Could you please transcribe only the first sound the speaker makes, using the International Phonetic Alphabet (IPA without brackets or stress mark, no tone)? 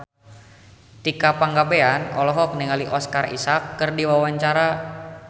t̪